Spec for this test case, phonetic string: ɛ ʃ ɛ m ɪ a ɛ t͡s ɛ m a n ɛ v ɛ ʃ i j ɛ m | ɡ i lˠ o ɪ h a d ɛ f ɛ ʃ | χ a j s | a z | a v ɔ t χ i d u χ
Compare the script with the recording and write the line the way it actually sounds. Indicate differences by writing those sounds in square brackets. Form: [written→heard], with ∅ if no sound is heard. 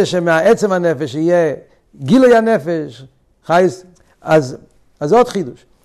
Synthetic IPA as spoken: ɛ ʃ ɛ m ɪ a ɛ t͡s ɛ m a n ɛ [v→f] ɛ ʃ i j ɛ [m→∅] | ɡ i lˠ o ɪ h a [d→n] ɛ f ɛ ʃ | χ a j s | a z | a [v→z] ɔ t χ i d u [χ→ʃ]